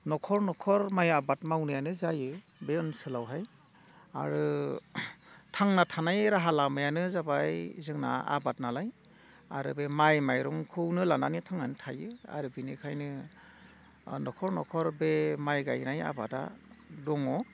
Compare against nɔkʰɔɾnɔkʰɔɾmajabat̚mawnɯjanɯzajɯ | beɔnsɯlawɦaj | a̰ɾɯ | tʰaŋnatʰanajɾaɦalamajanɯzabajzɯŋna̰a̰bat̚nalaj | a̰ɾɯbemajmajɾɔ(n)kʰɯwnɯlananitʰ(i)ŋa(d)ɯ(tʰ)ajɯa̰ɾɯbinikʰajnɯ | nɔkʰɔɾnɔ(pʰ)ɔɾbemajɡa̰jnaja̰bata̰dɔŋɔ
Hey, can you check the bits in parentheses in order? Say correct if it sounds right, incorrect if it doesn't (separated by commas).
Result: incorrect, incorrect, incorrect, correct, incorrect